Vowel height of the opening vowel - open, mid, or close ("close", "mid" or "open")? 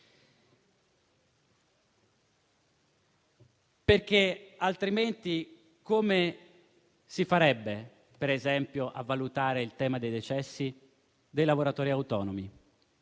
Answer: mid